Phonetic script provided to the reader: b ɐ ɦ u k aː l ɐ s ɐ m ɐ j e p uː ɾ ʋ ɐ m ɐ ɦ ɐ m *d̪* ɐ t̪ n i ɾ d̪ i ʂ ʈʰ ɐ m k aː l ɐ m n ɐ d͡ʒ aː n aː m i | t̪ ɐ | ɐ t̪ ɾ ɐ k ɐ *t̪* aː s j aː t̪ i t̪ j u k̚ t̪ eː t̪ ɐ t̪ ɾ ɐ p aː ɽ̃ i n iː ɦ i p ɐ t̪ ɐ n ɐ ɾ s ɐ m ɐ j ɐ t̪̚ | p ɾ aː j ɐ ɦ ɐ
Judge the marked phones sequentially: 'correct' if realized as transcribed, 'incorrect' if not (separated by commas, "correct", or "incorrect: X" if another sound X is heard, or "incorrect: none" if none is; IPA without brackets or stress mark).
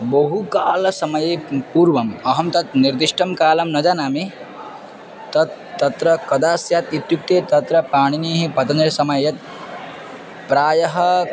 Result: incorrect: t̪, incorrect: d̪